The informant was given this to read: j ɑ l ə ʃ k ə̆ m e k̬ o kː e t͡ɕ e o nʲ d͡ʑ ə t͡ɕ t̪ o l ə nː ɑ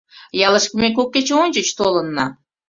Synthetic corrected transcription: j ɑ l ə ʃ k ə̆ m e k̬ o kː e t͡ɕ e o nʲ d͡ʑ ə t͡ɕ t̪ o l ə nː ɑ